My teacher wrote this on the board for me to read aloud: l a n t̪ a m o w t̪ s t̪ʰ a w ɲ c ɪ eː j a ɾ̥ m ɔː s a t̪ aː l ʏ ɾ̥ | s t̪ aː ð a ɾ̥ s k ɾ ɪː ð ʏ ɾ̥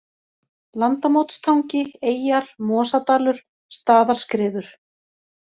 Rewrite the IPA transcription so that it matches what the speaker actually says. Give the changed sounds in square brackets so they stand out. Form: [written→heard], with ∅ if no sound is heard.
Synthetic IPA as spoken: l a n t̪ a m o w t̪ s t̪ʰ a w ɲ c ɪ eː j a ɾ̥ m ɔː s a t̪ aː l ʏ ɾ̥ | s t̪ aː ð a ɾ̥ s k ɾ ɪː ð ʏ ɾ̥